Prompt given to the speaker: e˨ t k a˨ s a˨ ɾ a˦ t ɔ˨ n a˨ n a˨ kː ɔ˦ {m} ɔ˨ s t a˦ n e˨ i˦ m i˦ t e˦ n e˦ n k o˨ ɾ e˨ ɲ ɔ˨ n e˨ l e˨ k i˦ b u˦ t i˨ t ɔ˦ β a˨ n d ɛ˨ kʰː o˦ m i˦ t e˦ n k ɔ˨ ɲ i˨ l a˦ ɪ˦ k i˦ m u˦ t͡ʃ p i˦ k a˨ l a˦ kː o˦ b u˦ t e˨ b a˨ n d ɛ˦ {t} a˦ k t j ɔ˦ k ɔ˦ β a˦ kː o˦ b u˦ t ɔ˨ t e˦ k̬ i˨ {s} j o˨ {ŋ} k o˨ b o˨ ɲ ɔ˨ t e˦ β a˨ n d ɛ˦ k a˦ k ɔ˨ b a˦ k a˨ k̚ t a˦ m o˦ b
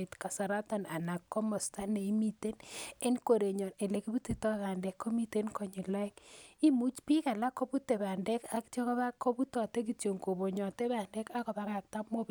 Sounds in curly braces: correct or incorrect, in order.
correct, incorrect: k, incorrect: t, correct

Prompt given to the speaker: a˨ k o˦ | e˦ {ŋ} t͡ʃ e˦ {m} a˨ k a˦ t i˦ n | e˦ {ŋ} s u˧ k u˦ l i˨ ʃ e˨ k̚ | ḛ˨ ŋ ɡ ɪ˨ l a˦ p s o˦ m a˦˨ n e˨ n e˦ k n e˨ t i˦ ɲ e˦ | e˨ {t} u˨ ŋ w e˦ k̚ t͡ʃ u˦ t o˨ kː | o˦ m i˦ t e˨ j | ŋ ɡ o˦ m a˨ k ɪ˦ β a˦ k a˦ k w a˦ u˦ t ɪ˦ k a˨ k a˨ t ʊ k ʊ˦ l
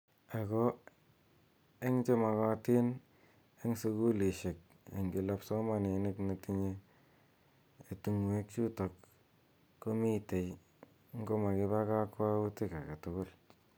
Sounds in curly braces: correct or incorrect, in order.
correct, correct, correct, correct

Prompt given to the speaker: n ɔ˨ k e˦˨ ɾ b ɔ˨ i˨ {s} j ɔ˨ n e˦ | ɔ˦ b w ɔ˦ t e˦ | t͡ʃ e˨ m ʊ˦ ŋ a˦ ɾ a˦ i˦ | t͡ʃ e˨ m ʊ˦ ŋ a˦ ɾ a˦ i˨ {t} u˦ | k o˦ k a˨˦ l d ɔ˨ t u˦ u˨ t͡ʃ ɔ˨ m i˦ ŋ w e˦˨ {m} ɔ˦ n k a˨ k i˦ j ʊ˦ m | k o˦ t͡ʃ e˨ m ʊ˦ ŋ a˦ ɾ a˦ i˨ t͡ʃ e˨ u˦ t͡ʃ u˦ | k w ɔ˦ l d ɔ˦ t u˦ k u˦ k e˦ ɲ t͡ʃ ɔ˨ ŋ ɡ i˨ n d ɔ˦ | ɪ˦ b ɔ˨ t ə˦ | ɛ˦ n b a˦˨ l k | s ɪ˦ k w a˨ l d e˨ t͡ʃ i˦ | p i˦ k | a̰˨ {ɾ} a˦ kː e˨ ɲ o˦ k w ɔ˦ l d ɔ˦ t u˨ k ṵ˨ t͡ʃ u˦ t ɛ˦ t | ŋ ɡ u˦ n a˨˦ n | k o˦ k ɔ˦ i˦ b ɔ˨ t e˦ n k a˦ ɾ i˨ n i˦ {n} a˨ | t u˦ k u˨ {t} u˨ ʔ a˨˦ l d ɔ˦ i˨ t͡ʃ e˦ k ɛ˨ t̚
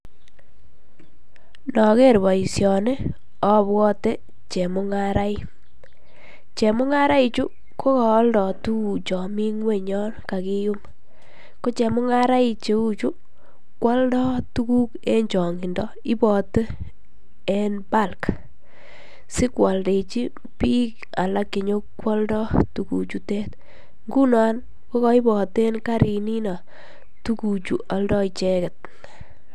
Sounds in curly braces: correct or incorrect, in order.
correct, incorrect: t͡ʃ, incorrect: ɲ, incorrect: l, correct, incorrect: t͡ʃ

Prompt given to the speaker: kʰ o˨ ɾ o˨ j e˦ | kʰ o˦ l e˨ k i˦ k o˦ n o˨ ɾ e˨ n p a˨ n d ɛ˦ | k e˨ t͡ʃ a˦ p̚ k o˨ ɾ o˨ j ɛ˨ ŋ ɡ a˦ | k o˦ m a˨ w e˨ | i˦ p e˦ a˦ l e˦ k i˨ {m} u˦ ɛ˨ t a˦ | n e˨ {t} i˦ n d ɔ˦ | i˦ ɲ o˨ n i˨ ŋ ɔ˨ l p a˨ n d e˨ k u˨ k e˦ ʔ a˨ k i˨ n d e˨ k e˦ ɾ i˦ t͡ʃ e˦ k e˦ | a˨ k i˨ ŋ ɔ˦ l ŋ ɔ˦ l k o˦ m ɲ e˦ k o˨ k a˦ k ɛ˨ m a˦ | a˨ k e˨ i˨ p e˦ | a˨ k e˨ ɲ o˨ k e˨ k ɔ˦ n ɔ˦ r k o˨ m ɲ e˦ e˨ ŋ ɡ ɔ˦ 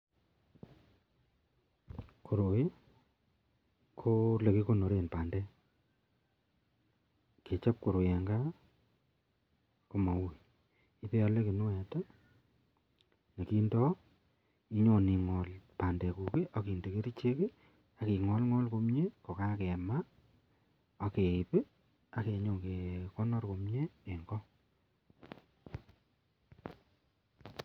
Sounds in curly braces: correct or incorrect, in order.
incorrect: n, incorrect: k

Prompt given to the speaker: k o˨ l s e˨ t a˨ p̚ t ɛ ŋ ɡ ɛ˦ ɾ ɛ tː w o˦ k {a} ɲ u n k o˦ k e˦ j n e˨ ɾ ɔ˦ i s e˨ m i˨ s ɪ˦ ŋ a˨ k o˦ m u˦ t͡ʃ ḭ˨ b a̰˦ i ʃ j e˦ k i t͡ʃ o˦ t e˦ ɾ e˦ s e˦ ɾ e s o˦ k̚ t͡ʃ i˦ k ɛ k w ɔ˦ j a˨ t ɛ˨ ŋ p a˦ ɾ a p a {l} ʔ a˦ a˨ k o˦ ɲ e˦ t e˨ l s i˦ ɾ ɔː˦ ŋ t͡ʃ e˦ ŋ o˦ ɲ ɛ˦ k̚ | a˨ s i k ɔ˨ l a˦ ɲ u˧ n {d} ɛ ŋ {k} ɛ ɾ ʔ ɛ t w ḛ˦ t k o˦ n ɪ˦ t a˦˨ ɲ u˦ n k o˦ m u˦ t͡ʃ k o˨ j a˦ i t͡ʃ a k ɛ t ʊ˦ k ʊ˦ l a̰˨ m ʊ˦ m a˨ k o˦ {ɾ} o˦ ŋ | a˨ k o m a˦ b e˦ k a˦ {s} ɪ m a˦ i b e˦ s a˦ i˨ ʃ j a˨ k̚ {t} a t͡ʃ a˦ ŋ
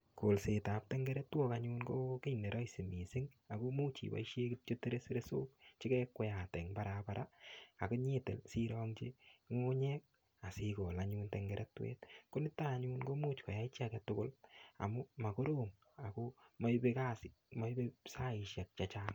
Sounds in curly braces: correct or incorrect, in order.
correct, incorrect: ɾ, incorrect: t, incorrect: ɡ, correct, correct, incorrect: t͡ʃ

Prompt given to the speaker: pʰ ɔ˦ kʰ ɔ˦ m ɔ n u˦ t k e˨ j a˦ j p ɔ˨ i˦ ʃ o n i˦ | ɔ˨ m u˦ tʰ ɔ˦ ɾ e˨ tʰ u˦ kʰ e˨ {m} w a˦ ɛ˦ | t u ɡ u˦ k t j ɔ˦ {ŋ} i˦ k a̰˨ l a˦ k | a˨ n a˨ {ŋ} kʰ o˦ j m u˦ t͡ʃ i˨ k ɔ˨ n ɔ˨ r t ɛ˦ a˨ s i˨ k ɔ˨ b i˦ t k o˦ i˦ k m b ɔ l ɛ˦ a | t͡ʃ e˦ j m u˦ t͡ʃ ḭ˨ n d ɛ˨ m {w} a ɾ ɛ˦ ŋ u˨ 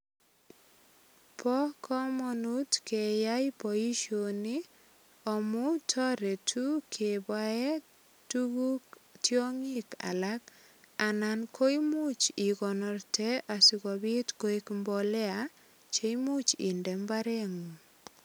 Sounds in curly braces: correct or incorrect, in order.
incorrect: b, correct, incorrect: n, incorrect: b

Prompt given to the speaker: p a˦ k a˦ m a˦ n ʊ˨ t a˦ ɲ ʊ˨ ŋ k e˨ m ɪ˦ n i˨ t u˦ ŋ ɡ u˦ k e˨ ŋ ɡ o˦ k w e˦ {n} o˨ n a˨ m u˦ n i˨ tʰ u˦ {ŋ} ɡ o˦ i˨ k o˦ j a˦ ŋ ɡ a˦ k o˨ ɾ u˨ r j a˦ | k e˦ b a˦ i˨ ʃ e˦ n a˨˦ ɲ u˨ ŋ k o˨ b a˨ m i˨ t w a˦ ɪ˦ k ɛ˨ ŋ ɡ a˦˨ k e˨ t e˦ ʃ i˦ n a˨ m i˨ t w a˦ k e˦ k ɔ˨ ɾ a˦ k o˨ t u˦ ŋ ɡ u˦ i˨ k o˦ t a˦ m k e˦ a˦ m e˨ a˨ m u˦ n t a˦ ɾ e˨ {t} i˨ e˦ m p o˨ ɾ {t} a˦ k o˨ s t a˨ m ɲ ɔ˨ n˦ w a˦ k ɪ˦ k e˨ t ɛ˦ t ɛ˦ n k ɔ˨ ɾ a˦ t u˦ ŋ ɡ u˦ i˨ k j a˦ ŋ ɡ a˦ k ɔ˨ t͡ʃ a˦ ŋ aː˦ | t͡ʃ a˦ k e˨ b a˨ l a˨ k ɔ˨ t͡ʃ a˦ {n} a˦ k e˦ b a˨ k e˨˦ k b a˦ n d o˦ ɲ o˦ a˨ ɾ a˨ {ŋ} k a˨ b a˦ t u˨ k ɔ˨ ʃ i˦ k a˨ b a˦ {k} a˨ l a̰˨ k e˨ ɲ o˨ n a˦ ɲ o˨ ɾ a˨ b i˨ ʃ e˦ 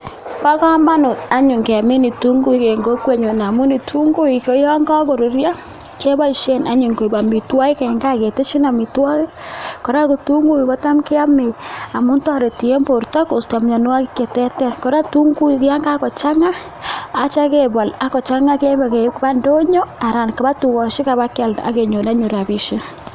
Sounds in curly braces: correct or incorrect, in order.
incorrect: ɲ, correct, correct, correct, incorrect: ŋ, incorrect: n, correct

